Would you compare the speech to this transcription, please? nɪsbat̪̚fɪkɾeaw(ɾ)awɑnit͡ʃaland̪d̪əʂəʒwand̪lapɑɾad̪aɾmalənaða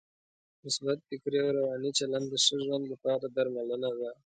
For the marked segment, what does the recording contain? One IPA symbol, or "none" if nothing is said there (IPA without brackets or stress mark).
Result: ɾ